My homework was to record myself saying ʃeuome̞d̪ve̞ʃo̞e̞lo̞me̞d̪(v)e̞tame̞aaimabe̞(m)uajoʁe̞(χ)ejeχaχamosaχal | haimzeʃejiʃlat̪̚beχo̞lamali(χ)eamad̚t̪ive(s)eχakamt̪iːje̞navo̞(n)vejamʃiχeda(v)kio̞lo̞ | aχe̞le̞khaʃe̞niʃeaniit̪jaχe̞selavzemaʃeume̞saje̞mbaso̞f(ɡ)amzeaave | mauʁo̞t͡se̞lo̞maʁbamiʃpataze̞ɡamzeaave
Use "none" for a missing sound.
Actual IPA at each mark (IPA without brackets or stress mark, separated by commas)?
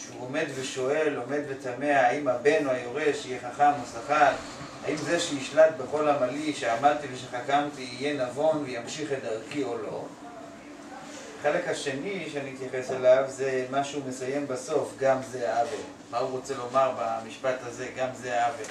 v, n, ʃ, ʃ, ʃ, n, ʁ, ɡ